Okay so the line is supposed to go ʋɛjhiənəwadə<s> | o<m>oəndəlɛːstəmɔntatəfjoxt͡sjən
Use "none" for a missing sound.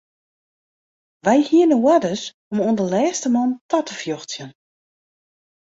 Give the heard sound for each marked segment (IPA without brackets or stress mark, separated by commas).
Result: s, m